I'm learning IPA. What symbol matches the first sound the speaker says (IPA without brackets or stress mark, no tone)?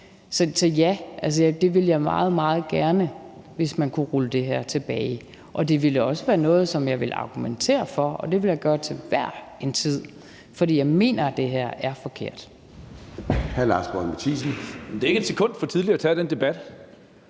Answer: s